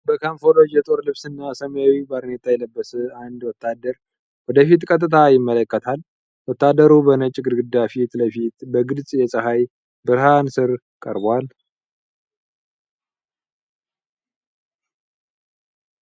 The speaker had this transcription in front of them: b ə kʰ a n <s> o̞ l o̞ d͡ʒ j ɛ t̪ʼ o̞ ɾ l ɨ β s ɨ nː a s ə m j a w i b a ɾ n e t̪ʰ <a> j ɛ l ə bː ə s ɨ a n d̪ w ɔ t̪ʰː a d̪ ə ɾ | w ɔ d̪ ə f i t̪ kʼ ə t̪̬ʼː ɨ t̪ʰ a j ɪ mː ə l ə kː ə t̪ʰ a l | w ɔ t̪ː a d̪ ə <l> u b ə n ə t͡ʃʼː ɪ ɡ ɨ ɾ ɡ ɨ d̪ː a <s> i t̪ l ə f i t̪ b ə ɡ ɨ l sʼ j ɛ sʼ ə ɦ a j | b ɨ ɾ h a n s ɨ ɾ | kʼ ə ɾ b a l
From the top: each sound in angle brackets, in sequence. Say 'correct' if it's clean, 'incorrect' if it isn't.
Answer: incorrect: f, correct, incorrect: ɾ, incorrect: f

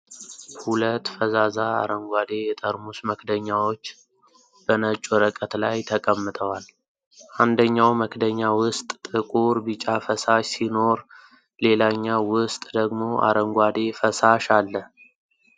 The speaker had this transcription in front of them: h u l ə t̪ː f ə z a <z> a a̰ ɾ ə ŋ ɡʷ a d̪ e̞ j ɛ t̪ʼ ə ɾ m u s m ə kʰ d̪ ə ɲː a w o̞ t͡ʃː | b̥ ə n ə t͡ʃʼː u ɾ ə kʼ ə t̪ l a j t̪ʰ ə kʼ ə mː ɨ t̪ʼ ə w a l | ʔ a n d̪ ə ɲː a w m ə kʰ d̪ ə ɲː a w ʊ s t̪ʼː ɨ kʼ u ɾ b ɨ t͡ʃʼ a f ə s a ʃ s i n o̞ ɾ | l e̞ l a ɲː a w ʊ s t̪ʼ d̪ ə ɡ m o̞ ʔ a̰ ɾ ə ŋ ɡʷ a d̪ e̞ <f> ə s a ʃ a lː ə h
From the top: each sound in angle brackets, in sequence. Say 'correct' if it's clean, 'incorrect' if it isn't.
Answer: correct, correct

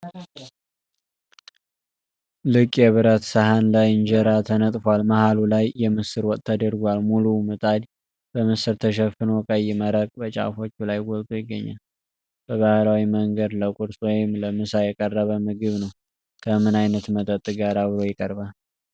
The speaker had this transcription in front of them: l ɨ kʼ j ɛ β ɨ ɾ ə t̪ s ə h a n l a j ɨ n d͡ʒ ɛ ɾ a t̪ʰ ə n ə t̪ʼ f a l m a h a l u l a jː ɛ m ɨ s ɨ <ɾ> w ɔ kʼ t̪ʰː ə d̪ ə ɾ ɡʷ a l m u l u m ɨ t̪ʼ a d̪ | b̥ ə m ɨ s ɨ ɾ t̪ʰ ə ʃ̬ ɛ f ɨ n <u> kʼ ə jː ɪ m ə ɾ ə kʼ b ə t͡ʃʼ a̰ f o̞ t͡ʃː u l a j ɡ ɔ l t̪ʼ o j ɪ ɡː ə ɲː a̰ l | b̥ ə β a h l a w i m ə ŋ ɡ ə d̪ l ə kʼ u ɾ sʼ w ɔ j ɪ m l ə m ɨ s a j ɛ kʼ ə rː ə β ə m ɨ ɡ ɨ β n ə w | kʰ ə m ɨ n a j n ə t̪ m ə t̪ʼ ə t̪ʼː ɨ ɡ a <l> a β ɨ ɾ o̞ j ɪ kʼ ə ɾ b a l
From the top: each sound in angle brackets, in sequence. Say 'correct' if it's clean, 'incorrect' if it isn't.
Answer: correct, incorrect: o, incorrect: ɾ

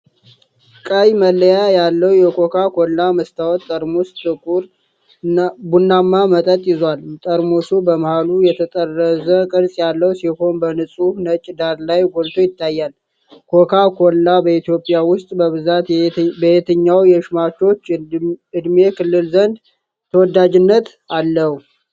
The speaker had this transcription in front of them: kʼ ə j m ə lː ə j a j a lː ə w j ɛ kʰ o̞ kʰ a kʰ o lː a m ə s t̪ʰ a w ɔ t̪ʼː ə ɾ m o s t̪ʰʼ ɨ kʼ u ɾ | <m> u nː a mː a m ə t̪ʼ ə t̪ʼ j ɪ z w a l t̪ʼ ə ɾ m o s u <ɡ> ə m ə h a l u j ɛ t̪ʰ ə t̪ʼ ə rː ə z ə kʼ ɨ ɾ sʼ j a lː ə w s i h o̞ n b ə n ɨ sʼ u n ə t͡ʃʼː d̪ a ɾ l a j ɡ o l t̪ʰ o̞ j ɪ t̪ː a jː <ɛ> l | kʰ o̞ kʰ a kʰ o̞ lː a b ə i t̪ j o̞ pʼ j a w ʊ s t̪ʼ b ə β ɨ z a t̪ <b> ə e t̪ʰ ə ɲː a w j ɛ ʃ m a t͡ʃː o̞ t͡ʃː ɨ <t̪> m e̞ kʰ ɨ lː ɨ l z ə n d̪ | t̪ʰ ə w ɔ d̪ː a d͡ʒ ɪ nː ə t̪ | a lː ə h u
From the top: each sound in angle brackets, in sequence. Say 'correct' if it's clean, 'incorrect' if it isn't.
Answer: incorrect: b, incorrect: b, incorrect: a, correct, incorrect: d̪

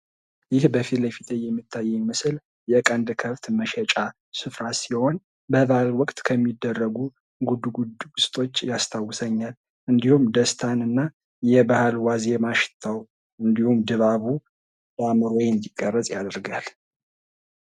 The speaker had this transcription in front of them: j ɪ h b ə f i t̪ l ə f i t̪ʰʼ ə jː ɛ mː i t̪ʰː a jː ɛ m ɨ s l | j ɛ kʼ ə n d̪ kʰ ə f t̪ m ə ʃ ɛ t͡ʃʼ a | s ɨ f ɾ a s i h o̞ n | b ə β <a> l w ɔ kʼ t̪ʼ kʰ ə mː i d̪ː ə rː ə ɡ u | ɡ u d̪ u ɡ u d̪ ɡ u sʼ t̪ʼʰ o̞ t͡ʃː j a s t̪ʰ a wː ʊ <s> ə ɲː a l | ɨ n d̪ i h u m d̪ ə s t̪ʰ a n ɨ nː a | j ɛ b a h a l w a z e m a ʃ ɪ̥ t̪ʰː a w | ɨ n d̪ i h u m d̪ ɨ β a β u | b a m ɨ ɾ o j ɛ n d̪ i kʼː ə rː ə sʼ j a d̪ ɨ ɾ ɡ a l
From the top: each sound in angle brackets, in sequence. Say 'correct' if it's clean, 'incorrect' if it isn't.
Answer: correct, correct

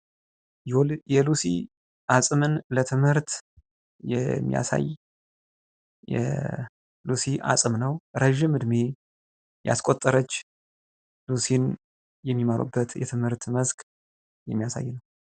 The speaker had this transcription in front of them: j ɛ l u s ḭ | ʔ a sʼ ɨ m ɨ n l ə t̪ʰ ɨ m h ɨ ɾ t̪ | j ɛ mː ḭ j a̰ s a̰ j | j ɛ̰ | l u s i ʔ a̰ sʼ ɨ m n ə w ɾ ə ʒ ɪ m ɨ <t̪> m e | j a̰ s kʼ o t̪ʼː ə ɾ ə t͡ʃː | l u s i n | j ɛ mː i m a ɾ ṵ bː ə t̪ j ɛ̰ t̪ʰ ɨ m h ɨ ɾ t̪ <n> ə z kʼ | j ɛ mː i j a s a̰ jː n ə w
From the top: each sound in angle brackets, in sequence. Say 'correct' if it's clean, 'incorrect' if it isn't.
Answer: incorrect: d̪, incorrect: m

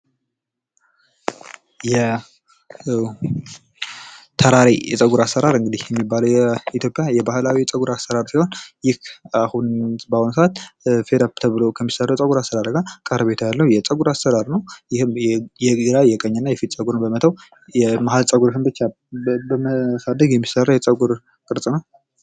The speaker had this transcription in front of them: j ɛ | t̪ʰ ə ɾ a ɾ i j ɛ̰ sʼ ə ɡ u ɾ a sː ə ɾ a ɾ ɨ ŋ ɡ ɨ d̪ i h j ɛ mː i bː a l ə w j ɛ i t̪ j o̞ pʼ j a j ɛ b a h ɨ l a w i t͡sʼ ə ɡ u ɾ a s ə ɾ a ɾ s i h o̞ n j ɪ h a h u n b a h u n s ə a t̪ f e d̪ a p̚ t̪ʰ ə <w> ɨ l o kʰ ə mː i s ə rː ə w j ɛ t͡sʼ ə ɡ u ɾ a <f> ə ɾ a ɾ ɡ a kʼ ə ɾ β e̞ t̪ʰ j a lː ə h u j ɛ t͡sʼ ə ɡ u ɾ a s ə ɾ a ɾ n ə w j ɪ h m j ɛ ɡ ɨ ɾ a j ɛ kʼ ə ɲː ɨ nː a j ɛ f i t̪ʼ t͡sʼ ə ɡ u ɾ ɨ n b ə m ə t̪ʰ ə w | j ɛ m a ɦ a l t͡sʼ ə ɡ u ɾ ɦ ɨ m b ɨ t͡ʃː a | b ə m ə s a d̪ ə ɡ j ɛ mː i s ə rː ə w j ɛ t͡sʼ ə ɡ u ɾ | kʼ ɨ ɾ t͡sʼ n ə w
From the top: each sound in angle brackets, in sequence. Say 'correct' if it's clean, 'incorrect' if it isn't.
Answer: incorrect: β, incorrect: s

